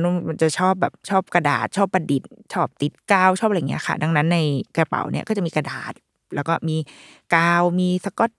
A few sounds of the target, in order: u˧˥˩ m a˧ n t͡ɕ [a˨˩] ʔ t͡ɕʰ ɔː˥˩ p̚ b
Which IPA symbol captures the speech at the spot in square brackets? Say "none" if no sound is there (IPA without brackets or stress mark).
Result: a˨˩